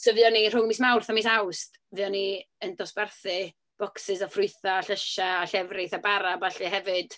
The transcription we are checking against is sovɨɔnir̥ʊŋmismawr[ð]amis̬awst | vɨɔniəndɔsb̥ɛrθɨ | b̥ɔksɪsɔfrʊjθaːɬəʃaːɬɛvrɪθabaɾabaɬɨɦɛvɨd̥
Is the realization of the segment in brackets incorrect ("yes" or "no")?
yes